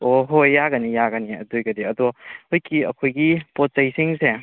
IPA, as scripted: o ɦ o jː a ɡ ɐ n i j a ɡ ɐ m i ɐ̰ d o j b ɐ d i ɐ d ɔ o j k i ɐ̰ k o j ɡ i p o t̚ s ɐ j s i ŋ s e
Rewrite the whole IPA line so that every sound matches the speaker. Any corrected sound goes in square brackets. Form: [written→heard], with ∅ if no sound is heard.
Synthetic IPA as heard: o ɦ o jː a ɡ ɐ n i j a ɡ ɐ [m→n] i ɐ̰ d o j [b→ɡ] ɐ d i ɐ d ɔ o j k i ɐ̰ [k→kʰ] o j ɡ i p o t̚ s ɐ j s i ŋ s e